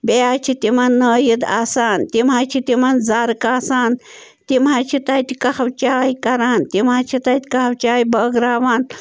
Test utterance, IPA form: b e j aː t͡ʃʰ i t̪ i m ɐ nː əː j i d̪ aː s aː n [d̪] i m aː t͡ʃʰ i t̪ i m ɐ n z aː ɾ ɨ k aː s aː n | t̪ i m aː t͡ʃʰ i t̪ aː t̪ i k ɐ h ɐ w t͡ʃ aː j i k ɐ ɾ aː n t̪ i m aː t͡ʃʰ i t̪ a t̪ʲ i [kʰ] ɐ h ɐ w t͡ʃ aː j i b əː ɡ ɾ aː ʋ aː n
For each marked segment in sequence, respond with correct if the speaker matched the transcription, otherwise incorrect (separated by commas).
incorrect, incorrect